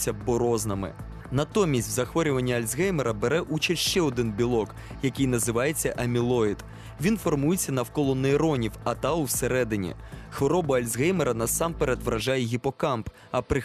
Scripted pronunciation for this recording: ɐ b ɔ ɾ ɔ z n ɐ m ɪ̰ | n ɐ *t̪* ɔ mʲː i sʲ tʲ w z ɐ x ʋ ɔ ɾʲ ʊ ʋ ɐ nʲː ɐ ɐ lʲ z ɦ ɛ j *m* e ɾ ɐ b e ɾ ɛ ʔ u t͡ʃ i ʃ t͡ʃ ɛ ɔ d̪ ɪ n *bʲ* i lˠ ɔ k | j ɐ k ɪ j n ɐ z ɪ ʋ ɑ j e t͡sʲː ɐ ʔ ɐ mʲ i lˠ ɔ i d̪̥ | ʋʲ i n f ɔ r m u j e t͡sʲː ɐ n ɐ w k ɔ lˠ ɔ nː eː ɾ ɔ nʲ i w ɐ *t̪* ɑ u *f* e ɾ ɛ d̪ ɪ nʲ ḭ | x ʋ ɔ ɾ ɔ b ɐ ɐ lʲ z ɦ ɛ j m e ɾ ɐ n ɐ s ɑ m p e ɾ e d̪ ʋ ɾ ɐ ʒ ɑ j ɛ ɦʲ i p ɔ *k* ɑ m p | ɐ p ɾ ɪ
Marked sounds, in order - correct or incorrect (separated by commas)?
correct, correct, correct, correct, incorrect, correct